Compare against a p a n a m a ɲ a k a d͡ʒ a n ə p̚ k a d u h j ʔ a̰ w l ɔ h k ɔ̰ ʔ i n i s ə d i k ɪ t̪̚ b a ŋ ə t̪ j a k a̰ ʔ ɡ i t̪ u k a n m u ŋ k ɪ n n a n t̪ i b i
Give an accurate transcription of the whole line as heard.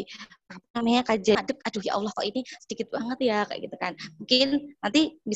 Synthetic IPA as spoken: a p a n a m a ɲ a k a d͡ʒ a d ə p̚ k a d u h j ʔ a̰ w l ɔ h k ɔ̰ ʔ i n i s ə d i k ɪ t̪̚ b a ŋ ə t̪ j a k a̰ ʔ ɡ i t̪ u k a n m u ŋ k ɪ n n a n t̪ i b i